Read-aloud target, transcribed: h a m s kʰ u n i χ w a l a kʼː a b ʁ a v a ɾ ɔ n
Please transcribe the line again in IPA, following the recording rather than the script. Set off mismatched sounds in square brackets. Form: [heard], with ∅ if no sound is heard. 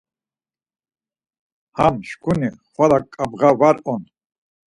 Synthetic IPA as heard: h a m [ʃ] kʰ u n i χ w a l a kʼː a b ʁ a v a ɾ ɔ n